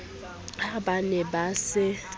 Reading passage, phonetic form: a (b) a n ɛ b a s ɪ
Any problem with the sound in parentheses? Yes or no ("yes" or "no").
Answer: no